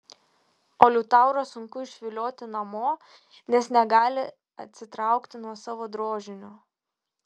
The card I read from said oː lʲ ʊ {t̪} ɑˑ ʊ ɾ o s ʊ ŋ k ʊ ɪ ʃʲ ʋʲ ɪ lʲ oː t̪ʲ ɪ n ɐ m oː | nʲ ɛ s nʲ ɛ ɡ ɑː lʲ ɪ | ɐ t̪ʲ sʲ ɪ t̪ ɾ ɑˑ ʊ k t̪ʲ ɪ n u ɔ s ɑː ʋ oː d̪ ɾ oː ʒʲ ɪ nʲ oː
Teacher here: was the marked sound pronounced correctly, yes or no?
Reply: yes